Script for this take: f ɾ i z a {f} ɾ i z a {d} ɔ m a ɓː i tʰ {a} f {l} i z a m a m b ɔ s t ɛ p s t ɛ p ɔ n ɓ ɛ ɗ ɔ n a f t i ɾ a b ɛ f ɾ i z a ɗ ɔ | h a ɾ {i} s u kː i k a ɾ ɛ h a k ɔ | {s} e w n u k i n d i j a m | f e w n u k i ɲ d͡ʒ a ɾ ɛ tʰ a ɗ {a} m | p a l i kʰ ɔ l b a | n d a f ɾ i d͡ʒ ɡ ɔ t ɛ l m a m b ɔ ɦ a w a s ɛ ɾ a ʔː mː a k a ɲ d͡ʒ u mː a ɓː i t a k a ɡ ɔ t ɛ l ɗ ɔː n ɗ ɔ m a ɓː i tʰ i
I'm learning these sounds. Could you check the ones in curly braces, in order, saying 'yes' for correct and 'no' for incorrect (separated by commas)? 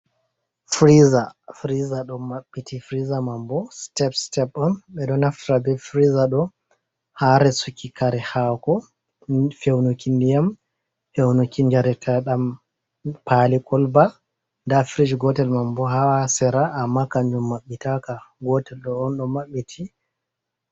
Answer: yes, no, no, no, no, no, yes